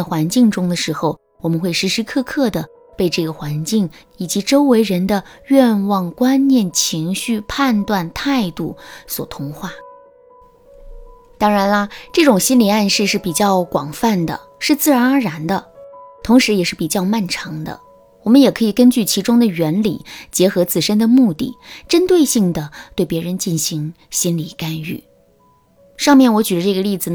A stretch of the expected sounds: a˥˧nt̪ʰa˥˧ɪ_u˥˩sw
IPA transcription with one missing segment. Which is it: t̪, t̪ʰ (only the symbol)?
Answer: t̪